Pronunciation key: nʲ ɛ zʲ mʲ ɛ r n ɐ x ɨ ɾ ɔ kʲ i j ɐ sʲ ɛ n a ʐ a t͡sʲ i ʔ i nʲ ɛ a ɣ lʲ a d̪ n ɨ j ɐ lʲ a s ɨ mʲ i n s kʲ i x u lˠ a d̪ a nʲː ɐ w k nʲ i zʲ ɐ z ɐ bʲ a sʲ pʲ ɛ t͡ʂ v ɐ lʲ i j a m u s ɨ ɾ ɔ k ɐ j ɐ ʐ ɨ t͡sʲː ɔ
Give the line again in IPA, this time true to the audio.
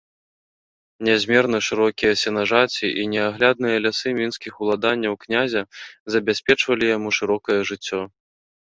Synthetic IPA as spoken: nʲ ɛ zʲ mʲ ɛ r n ɐ ʂ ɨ ɾ ɔ kʲ i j ɐ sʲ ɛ n a ʐ a t͡sʲ i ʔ i nʲ ɛ a ɣ lʲ a d̪ n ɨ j ɐ lʲ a s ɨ mʲ i n s kʲ i x u lˠ a d̪ a nʲː ɐ w k nʲ a zʲ ɐ z ɐ bʲ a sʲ pʲ ɛ t͡ʂ v ɐ lʲ i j a m u ʂ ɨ ɾ ɔ k ɐ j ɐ ʐ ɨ t͡sʲː ɔ

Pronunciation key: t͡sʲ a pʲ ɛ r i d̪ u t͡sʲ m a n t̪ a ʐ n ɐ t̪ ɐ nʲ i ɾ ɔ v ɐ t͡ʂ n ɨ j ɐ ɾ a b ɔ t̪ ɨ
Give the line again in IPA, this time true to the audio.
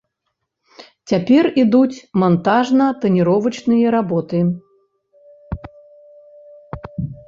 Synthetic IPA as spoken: t͡sʲ a pʲ ɛ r i d̪ u t͡sʲ m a n t̪ a ʐ n ɐ t̪ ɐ nʲ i ɾ ɔ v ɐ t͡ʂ n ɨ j ɐ ɾ a b ɔ t̪ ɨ

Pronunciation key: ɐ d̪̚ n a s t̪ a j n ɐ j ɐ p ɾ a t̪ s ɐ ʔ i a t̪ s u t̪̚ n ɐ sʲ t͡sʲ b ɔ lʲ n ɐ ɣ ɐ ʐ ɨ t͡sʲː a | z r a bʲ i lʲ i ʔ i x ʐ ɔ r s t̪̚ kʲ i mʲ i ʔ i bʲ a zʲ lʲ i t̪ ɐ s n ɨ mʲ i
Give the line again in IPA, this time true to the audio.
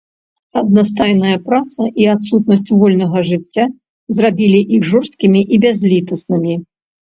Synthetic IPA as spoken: ɐ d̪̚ n a s t̪ a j n ɐ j ɐ p ɾ a t̪ s ɐ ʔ i a t̪ s u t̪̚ n ɐ sʲ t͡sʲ v ɔ lʲ n ɐ ɣ ɐ ʐ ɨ t͡sʲː a | z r a bʲ i lʲ i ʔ i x ʐ ɔ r s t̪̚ kʲ i mʲ i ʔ i bʲ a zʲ lʲ i t̪ ɐ s n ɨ mʲ i

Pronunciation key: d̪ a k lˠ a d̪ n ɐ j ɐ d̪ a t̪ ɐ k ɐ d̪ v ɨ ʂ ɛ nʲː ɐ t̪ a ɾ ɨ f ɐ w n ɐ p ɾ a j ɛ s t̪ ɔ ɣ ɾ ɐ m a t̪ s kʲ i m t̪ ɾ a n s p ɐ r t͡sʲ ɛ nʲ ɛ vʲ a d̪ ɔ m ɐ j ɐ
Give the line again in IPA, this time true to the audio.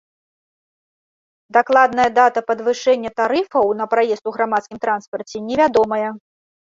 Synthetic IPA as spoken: d̪ a k lˠ a d̪ n ɐ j ɐ d̪ a t̪ ɐ p ɐ d̪ v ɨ ʂ ɛ nʲː ɐ t̪ a ɾ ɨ f ɐ w n ɐ p ɾ a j ɛ s t̪ u ɣ ɾ a m a t̪ s kʲ i m t̪ ɾ a n s p ɐ r t͡sʲ ɛ nʲ ɛ vʲ a d̪ ɔ m ɐ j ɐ

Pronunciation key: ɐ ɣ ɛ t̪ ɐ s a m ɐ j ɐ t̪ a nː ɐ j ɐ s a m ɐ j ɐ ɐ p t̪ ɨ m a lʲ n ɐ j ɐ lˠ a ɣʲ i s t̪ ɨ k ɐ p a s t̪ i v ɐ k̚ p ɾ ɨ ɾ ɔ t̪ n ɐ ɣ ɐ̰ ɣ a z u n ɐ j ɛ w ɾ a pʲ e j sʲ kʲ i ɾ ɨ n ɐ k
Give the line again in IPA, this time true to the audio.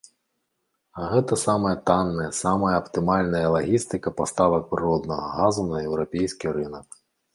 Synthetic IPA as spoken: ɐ ɣ ɛ t̪ ɐ s a m ɐ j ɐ t̪ a nː ɐ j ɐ s a m ɐ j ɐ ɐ p t̪ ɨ m a lʲ n ɐ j ɐ lˠ a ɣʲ i s t̪ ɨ k ɐ p a s t̪ a v ɐ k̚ p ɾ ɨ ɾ ɔ d̪ n ɐ ɣ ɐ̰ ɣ a z u n ɐ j ɛ w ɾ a pʲ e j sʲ kʲ i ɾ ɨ n ɐ k

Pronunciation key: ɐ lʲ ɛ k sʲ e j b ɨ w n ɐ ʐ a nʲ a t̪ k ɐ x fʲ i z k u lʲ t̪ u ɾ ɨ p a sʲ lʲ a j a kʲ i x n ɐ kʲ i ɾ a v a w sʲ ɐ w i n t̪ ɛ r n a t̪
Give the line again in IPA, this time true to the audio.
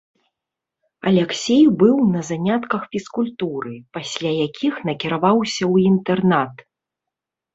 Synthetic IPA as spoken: ɐ lʲ ɛ k sʲ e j b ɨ w n ɐ z a nʲ a t̪ k ɐ x fʲ i s k u lʲ t̪ u ɾ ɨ p a sʲ lʲ a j a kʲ i x n ɐ kʲ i ɾ a v a w sʲ ɐ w i n t̪ ɛ r n a t̪

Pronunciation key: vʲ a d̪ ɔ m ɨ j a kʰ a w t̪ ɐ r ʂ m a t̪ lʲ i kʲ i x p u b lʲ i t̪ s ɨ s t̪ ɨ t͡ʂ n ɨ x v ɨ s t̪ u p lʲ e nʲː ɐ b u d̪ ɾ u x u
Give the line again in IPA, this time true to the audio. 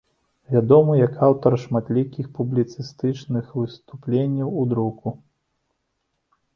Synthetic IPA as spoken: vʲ a d̪ ɔ m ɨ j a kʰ a w t̪ ɐ r ʂ m a t̪ lʲ i kʲ i x p u b lʲ i t̪ s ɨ s t̪ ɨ t͡ʂ n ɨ x v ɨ s t̪ u p lʲ e nʲː ɐ w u d̪ ɾ u k u

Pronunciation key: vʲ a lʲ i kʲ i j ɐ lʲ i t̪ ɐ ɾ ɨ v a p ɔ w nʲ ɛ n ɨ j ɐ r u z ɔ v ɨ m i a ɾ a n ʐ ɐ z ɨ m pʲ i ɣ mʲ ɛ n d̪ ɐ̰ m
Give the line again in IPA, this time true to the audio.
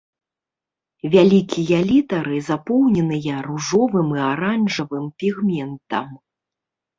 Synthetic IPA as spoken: vʲ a lʲ i kʲ i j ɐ lʲ i t̪ ɐ ɾ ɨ z a p ɔ w nʲ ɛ n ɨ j ɐ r u ʐ ɔ v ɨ m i a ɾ a n ʐ ɐ v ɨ m pʲ i ɣ mʲ ɛ n t̪ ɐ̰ m

